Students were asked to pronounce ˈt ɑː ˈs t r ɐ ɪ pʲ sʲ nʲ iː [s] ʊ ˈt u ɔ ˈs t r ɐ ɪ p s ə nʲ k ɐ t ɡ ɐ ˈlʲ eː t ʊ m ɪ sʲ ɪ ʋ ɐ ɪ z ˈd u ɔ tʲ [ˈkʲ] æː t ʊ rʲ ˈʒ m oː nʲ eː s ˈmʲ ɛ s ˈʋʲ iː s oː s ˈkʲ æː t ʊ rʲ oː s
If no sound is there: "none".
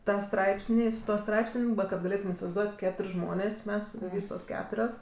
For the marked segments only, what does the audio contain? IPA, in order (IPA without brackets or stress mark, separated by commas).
s, kʲ